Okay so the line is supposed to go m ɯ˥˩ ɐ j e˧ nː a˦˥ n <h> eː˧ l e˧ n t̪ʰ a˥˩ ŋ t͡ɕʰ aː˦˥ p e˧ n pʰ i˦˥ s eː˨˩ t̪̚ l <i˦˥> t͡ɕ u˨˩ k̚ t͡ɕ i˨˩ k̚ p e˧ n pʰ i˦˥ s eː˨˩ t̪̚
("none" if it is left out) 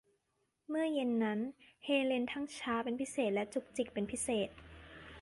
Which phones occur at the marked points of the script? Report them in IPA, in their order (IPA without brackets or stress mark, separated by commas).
h, ɛ˦˥